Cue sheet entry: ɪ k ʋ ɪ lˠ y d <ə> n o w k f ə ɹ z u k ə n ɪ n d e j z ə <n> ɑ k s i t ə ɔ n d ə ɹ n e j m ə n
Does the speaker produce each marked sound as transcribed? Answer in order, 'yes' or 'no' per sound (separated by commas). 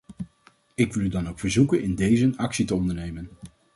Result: no, yes